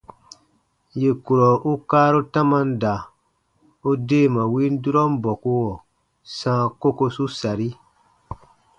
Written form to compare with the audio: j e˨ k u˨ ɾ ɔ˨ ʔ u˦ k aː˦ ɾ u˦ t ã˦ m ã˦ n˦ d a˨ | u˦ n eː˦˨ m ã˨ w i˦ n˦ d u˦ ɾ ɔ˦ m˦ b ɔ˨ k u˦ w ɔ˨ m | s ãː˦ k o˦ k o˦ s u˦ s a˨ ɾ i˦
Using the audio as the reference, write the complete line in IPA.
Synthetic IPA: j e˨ k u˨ ɾ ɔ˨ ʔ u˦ k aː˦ ɾ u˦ t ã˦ m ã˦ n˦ d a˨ | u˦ d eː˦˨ m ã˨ w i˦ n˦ d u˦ ɾ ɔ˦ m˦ b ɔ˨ k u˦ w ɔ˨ | s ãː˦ k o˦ k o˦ s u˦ s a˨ ɾ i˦